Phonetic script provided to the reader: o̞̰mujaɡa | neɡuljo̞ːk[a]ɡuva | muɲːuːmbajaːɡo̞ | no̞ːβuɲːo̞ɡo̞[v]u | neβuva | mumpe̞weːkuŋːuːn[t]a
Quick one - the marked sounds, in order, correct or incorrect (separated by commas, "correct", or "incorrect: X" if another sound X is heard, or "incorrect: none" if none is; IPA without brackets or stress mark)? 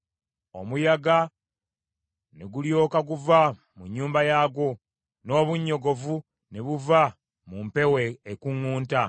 correct, correct, correct